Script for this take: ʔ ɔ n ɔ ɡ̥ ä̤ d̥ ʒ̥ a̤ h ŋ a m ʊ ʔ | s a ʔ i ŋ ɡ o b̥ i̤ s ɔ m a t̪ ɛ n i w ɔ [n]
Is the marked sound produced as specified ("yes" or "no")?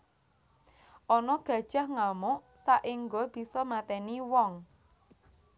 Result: no